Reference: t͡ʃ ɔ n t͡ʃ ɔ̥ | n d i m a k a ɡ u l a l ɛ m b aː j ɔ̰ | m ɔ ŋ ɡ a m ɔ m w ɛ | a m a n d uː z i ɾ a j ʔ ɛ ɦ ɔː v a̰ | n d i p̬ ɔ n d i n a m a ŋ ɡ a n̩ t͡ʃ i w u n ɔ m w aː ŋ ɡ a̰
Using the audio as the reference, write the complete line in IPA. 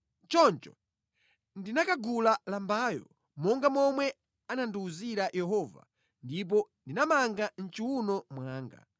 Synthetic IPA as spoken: t͡ʃ ɔ n t͡ʃ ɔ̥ | n d i n a k a ɡ u l a l a m b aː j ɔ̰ | m ɔ ŋ ɡ a m ɔ m w ɛ | a n a n d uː z i ɾ a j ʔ ɛ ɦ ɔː v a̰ | n d i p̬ ɔ n d i n a m a ŋ ɡ a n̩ t͡ʃ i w u n ɔ m w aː ŋ ɡ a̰